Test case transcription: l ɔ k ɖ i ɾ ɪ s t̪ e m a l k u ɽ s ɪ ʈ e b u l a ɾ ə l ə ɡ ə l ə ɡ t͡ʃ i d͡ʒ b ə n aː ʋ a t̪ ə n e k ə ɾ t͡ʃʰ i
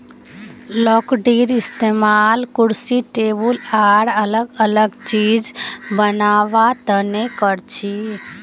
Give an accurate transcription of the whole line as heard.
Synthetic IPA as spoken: l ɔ k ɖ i ɾ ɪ s t̪ e m a l k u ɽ s i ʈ e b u l a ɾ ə l ə ɡ ə l ə ɡ t͡ʃ i d͡ʒ b ə n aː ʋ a t̪ ə n e k ə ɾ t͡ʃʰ i